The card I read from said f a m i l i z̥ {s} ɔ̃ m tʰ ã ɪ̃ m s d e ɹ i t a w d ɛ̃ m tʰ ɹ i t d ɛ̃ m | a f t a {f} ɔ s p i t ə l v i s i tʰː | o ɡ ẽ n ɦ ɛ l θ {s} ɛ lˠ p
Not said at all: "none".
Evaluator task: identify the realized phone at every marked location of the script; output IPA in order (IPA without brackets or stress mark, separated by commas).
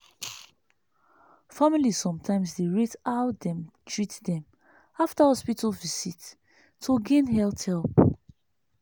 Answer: s, h, h